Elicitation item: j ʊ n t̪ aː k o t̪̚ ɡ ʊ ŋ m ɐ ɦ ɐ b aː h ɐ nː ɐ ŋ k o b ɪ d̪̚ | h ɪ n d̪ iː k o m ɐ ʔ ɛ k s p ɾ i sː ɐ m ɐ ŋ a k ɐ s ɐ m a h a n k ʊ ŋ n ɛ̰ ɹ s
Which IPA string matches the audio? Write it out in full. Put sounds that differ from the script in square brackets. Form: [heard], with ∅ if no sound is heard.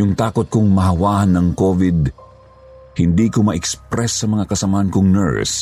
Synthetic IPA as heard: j ʊ [ŋ] t̪ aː k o t̪̚ [k] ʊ ŋ m ɐ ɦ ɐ [w] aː h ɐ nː ɐ ŋ k o [v] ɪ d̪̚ | h ɪ n d̪ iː k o m ɐ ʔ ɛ k s p ɾ [ɛ] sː ɐ m ɐ ŋ a k ɐ s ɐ m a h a n k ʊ ŋ n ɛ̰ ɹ s